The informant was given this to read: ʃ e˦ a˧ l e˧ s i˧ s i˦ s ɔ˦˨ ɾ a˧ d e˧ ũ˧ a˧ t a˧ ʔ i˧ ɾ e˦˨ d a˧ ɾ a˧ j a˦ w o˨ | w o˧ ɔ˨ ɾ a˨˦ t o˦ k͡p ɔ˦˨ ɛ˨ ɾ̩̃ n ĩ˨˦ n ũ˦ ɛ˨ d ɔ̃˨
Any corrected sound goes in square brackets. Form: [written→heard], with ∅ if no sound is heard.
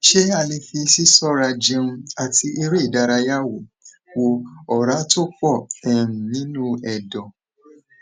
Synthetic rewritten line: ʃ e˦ a˧ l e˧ [s→f] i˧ s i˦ s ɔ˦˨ ɾ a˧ [d→d͡ʒ] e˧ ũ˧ a˧ t [a˧→i˧] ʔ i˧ ɾ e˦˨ d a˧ ɾ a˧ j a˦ w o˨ | w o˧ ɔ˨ ɾ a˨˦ t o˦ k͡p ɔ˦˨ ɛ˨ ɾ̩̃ n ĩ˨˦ n ũ˦ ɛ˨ d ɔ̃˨